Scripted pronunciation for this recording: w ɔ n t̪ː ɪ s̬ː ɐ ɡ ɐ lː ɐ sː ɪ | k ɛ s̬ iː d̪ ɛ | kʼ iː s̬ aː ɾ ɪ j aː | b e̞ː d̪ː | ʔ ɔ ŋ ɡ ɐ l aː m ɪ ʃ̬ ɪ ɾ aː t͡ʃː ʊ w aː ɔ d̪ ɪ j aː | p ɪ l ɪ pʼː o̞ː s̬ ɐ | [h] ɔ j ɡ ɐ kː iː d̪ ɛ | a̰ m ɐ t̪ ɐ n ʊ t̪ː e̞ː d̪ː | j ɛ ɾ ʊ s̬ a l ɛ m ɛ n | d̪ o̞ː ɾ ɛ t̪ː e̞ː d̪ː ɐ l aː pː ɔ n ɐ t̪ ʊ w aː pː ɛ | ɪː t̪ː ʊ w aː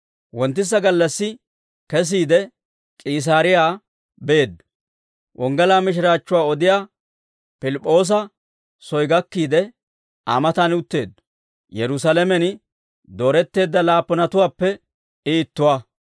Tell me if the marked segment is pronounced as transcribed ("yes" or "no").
no